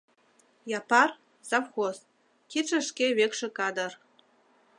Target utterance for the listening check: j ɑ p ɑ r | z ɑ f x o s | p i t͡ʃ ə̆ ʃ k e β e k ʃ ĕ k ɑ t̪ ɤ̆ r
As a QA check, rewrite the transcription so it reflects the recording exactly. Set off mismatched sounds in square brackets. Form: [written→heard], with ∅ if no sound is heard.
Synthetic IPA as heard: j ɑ p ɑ r | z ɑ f x o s | [p→k] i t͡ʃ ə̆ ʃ k e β e k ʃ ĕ k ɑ [t̪→d̪] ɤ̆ r